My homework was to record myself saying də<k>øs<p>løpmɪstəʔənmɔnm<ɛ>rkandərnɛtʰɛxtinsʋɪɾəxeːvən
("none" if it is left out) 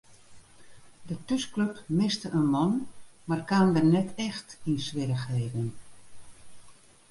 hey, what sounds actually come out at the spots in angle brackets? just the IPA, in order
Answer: t, k, a

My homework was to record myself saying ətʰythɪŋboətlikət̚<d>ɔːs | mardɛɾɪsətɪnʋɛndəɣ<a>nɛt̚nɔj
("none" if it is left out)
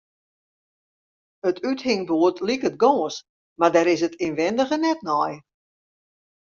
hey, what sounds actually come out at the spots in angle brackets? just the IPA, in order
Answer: ɡ, ə

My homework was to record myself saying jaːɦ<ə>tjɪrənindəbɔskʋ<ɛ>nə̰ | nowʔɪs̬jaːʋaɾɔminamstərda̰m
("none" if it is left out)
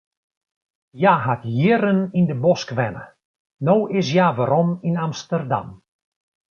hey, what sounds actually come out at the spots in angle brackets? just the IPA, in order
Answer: a, ɛ

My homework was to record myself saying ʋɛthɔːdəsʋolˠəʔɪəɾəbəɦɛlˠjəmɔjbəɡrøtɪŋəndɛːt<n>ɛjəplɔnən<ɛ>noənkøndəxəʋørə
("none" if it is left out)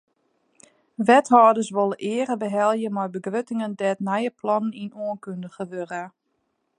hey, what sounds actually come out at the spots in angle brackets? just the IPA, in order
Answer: n, i

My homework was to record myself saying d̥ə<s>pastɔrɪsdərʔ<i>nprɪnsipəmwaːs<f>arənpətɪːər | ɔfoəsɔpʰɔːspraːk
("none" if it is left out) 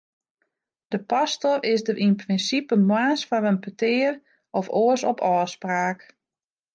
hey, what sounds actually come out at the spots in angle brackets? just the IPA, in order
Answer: none, i, f

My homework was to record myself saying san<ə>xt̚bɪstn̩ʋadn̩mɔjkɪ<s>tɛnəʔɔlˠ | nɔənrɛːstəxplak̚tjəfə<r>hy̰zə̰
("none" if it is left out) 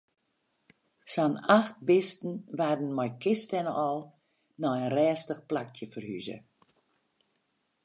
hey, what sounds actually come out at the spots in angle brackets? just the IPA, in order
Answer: a, s, r

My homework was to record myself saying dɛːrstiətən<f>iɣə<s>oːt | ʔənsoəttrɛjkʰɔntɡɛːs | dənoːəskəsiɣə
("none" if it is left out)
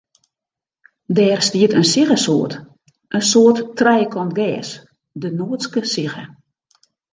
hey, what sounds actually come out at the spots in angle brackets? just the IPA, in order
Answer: s, s

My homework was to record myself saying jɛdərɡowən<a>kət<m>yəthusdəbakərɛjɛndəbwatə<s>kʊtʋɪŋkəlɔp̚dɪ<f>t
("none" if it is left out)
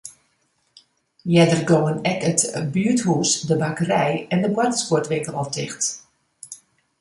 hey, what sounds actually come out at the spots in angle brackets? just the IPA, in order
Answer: ɛ, b, s, x

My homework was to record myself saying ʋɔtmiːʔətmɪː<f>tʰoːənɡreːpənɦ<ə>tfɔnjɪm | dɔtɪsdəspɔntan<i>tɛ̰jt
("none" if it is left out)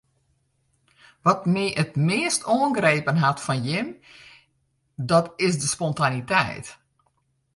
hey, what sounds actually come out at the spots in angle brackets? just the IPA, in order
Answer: s, a, i

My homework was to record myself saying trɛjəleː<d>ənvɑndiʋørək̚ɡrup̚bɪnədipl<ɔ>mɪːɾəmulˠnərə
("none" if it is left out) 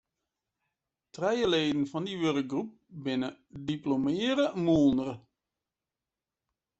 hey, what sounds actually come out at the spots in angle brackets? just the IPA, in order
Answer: d, o

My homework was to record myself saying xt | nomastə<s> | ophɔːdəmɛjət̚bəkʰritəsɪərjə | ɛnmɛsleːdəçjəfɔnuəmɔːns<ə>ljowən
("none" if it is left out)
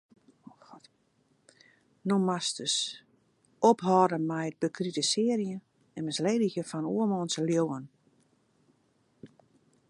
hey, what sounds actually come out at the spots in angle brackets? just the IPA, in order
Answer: s, ə

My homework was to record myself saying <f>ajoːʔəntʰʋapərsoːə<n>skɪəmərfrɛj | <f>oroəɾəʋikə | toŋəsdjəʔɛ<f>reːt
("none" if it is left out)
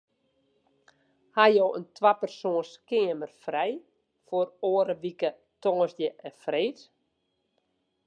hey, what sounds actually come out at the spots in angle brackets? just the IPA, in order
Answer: h, n, f, f

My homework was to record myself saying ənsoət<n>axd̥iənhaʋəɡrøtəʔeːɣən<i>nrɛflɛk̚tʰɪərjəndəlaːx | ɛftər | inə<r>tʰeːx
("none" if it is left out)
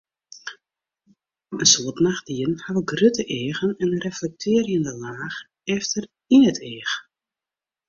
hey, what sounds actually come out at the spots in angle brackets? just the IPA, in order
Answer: n, ɛ, none

